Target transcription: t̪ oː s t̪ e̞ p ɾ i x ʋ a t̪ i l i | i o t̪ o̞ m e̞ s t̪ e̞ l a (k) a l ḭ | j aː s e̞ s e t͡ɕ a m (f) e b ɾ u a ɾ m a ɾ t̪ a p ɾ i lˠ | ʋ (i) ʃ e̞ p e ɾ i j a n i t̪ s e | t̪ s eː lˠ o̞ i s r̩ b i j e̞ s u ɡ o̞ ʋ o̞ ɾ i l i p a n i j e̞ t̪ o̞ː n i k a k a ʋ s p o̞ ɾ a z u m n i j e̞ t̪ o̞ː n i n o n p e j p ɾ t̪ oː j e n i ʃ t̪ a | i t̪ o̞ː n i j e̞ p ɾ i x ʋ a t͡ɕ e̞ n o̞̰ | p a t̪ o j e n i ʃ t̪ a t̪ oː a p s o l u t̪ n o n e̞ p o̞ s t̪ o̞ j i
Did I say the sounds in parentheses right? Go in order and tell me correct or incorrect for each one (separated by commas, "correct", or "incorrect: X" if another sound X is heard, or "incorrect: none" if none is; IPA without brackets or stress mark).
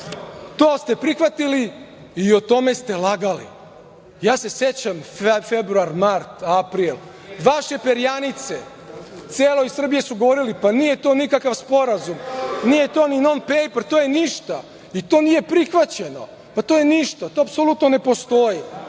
incorrect: ɡ, correct, incorrect: a